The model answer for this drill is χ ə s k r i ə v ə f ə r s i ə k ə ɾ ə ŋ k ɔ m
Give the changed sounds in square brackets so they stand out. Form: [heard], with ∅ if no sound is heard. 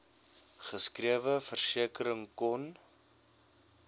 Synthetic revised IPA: χ ə s k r i ə v ə f ə r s i ə k ə ɾ ə ŋ k ɔ [n]